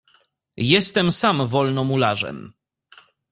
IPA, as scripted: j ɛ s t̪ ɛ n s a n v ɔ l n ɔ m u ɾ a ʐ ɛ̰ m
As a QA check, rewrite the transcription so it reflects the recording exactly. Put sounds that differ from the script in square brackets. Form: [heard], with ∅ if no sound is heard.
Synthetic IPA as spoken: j ɛ s t̪ ɛ [m] s a [m] v ɔ l n ɔ m u [l] a ʐ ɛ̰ m